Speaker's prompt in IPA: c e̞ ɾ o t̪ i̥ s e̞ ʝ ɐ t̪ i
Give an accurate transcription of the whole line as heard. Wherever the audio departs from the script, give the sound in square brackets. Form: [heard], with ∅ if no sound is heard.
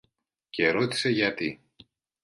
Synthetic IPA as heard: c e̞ ɾ o t̪ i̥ s e̞ ʝ ɐ t̪ i